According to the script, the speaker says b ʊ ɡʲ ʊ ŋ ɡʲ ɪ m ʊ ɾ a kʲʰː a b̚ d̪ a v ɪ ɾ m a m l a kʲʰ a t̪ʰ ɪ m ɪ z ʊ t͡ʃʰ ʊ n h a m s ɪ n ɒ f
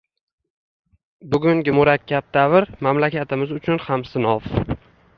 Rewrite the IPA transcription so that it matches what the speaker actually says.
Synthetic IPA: b ʊ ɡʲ ʊ ŋ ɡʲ ɪ m ʊ ɾ a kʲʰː a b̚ d̪ a v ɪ ɾ m a m l a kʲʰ a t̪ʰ ɪ m ɪ z ʊ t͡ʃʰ ʊ n h a m s ɪ n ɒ f